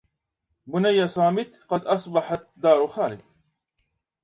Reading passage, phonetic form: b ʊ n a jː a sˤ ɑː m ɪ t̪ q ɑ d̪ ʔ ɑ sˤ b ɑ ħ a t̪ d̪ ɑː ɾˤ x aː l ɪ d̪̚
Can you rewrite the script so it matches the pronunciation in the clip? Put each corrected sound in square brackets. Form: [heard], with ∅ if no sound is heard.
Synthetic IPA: b ʊ n a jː a sˤ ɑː m ɪ t̪ q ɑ d̪ ʔ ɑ sˤ b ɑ ħ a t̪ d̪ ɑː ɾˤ x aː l ɪ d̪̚